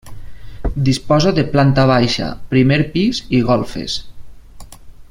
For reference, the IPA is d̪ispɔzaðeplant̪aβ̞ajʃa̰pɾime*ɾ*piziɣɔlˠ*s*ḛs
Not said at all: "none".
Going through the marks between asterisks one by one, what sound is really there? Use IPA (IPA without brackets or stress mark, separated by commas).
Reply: ɾ, f